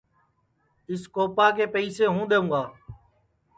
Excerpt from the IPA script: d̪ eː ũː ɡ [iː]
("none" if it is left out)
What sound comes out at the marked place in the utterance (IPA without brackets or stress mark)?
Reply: aː